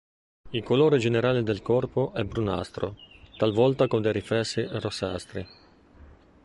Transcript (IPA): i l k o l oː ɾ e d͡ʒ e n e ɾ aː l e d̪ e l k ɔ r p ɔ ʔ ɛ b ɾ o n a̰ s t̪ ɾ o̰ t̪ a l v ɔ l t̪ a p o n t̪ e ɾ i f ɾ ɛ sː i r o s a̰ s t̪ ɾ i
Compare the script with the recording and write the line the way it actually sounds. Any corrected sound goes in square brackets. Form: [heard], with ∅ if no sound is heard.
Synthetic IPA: i l k o l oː ɾ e d͡ʒ e n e ɾ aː l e d̪ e l k ɔ r p [o] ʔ ɛ b ɾ [u] n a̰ s t̪ ɾ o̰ t̪ a l v ɔ l t̪ a [k] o n [d̪] e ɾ i f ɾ ɛ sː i r o s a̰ s t̪ ɾ i